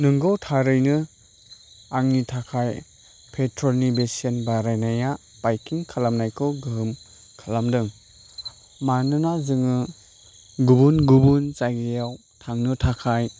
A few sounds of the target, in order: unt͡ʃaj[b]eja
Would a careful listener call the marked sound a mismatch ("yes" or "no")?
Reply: yes